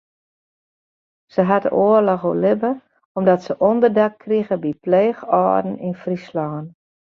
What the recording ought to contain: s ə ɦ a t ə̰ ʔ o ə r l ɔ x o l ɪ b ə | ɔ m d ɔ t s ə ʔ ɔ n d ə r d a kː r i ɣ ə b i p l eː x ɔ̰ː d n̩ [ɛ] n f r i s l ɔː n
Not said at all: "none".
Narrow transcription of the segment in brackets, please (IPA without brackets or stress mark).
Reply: i